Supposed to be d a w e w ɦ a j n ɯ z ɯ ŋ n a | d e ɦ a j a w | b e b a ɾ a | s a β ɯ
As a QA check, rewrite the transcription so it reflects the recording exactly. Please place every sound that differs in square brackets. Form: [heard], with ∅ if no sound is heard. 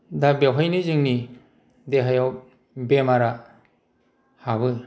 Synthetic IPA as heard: d a [b] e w ɦ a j n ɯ z ɯ ŋ n [i] | d e ɦ a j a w | b e [m] a ɾ a | [h] a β ɯ